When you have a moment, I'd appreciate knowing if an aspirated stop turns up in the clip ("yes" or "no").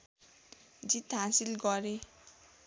no